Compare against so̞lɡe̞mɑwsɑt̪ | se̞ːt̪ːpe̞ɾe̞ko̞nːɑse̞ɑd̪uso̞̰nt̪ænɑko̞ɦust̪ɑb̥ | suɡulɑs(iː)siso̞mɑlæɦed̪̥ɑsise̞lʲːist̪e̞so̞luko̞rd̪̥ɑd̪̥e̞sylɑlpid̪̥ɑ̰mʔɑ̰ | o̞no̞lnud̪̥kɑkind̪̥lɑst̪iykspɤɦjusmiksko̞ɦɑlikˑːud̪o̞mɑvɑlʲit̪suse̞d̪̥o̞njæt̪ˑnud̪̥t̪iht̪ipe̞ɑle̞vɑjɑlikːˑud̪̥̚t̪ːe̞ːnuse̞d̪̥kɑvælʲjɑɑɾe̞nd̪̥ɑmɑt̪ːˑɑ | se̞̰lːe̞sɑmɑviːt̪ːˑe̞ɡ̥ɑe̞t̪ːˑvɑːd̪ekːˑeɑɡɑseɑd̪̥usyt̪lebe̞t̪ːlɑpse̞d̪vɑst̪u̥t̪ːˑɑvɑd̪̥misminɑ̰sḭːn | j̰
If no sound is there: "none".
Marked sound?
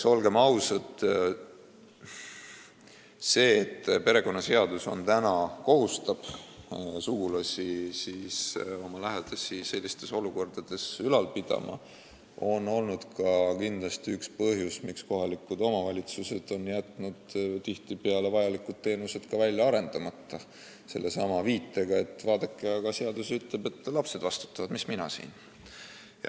i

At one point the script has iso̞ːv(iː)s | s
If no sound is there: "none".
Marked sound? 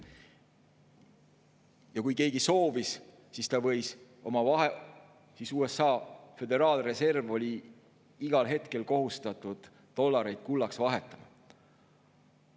i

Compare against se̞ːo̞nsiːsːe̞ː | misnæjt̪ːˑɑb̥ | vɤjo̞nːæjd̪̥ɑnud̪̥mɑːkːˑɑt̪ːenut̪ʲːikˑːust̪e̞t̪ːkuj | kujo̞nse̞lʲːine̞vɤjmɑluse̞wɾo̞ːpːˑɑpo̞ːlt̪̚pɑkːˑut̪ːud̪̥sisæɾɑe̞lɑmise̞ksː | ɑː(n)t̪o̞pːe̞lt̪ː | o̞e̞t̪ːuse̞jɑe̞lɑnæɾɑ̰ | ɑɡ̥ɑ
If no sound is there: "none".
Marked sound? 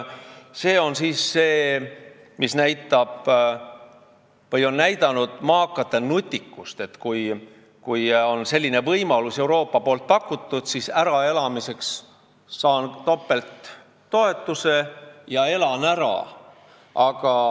n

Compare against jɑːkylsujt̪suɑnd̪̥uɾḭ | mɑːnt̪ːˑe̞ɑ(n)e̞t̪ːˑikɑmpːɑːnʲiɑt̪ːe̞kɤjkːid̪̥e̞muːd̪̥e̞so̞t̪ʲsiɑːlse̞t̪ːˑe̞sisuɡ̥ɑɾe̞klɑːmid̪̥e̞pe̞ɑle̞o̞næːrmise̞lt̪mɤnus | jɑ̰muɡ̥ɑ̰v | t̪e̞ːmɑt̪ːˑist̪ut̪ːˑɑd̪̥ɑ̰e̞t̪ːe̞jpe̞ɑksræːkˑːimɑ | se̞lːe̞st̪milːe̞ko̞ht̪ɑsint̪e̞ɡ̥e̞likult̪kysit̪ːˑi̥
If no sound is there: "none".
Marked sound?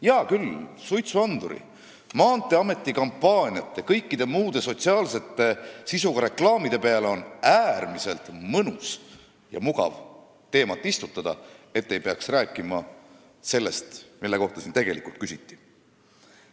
m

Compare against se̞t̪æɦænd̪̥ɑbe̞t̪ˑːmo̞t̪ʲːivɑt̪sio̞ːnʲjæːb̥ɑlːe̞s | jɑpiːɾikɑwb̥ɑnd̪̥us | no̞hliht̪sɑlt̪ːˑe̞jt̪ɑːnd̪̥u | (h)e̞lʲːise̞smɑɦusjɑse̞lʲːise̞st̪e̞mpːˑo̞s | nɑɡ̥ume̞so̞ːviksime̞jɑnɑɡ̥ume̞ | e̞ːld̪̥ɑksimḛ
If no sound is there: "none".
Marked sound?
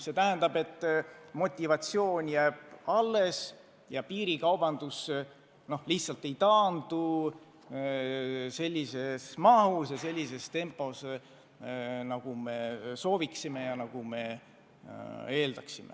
s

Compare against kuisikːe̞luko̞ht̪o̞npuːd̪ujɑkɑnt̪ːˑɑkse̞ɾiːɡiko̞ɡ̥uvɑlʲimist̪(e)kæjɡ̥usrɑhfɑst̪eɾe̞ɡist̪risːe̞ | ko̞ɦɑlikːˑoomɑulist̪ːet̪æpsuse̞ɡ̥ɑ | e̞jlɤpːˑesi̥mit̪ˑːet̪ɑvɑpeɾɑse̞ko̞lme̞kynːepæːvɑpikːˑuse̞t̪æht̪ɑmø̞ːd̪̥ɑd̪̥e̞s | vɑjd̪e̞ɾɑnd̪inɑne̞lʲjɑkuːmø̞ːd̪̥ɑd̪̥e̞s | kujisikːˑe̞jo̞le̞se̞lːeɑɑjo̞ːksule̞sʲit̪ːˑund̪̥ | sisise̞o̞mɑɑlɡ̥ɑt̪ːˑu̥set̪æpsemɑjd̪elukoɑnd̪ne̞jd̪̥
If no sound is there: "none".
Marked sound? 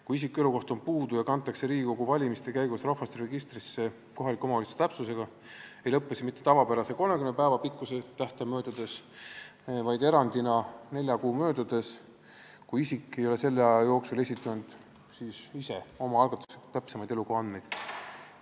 e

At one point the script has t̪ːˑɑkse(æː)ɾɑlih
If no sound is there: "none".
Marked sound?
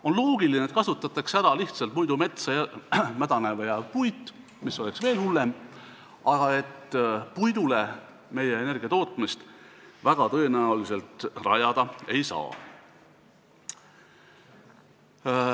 æ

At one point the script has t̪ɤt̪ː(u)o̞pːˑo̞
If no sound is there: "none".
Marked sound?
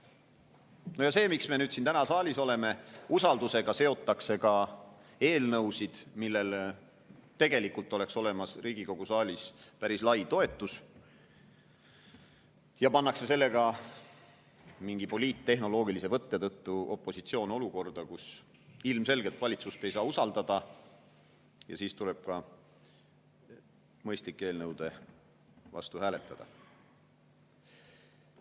u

